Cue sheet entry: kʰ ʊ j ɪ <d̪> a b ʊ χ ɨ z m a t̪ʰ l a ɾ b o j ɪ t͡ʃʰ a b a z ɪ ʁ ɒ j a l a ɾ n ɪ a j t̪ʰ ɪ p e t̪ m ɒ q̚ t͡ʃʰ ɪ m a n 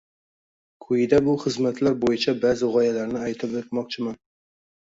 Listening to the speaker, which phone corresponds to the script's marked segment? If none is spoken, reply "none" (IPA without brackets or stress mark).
d̪